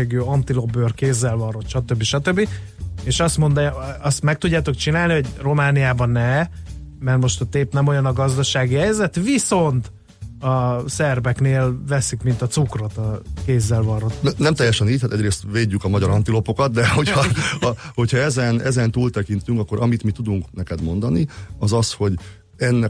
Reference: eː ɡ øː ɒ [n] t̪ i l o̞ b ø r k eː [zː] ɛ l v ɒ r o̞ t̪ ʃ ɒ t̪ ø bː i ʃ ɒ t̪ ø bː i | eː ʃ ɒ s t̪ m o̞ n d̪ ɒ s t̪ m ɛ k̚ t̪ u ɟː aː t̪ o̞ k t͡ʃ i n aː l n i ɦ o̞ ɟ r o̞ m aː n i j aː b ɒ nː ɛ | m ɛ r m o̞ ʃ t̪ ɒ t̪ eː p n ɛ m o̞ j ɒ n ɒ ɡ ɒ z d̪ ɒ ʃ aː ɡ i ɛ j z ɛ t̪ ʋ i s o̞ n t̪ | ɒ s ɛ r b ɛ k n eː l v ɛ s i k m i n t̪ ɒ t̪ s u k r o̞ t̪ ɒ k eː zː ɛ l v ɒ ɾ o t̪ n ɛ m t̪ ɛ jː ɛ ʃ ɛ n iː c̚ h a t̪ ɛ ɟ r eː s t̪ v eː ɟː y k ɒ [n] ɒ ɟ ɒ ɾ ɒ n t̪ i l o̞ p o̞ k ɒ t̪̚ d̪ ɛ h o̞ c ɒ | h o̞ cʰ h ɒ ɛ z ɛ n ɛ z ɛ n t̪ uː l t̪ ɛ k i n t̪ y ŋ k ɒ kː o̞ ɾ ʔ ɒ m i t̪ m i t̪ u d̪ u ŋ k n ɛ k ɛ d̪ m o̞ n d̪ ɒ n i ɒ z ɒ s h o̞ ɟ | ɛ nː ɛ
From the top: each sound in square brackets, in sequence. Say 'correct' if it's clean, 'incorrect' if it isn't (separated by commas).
correct, correct, incorrect